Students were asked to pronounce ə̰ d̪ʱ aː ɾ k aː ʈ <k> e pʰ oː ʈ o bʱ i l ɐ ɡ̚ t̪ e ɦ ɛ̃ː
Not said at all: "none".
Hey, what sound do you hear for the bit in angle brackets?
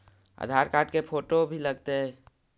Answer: k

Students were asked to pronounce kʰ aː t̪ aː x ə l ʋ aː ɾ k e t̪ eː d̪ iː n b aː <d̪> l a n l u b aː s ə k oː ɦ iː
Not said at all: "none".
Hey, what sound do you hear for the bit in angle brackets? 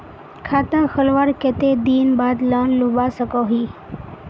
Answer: d̪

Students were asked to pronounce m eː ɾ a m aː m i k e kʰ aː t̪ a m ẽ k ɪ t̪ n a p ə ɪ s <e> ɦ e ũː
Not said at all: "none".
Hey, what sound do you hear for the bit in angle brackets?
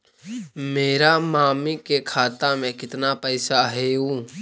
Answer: a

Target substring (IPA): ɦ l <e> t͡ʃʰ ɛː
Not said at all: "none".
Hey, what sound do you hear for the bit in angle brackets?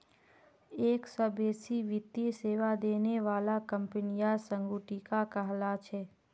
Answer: a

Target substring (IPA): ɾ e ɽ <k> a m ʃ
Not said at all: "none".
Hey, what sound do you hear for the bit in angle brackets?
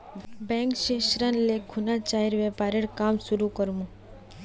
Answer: k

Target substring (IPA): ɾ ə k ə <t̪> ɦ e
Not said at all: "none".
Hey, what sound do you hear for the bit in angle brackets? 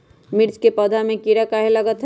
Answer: none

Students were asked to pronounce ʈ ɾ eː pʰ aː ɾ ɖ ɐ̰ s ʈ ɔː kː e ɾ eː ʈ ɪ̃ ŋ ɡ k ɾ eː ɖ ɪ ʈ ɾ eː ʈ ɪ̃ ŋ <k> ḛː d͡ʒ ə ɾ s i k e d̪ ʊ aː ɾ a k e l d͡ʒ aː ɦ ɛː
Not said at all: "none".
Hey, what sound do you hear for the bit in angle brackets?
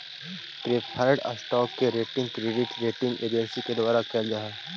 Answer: ɡ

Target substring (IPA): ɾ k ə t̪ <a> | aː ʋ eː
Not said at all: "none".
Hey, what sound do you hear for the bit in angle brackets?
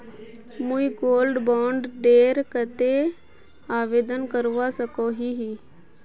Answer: e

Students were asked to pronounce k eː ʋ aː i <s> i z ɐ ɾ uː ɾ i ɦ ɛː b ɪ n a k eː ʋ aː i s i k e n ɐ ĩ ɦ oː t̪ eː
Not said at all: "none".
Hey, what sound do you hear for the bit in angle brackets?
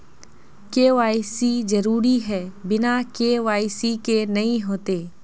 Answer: s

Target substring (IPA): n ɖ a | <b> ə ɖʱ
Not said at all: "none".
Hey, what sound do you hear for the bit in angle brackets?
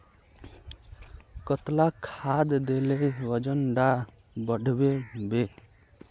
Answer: b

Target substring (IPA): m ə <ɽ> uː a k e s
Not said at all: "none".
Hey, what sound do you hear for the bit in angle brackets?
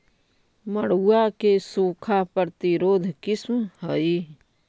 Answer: ɽ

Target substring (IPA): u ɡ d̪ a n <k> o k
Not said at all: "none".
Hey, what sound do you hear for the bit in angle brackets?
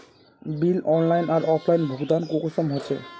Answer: k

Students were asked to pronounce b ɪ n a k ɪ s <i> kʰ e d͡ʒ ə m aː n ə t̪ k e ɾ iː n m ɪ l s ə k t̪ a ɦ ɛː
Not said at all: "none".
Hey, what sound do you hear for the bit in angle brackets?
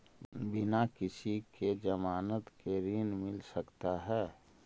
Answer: i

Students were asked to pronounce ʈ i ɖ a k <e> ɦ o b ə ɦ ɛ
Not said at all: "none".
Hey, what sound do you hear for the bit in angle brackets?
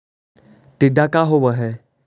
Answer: a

